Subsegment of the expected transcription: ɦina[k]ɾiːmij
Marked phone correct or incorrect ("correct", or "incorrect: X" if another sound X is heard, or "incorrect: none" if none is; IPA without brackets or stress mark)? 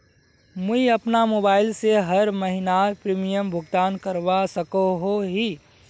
incorrect: p